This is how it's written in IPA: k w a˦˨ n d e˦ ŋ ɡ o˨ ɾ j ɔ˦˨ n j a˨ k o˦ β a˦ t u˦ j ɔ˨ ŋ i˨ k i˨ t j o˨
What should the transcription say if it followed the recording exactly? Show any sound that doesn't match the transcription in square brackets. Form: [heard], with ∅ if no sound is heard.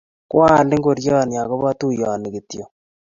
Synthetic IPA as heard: k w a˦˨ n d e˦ ŋ ɡ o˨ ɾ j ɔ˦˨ n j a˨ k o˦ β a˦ t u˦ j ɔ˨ [n] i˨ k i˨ t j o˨

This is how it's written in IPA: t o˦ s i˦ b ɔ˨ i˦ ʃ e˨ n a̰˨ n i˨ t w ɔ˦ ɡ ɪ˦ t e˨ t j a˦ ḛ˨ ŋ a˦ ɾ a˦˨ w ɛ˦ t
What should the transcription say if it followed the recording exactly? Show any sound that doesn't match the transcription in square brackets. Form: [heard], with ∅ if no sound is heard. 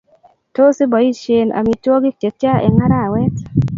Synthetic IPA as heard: t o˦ s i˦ b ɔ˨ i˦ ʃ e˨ n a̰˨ [m] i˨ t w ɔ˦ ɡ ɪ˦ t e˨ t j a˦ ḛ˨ ŋ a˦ ɾ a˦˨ w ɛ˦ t

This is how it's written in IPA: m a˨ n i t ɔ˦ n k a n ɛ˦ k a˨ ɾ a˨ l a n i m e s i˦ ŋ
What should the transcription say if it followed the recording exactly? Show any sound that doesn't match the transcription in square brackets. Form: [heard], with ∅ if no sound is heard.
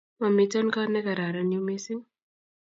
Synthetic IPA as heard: m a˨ [m] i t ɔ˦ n k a n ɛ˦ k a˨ ɾ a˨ [ɾ] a n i m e s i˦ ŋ

